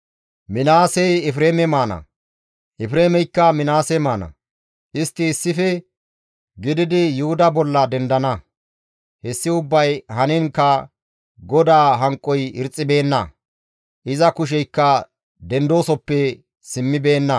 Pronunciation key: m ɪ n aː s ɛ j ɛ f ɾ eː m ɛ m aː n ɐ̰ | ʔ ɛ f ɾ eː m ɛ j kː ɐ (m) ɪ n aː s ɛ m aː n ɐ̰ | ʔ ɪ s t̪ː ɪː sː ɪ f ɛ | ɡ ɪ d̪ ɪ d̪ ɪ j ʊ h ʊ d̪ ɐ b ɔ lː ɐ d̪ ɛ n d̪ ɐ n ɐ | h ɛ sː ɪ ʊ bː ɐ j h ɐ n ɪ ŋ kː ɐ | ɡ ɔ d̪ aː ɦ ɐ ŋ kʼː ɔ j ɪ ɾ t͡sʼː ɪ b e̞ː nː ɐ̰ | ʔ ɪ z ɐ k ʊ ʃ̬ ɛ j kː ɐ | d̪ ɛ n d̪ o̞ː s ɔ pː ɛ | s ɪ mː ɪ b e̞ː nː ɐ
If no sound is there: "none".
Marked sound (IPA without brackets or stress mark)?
m